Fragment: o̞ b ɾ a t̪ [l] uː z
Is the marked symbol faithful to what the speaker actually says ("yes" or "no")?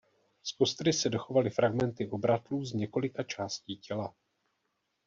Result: yes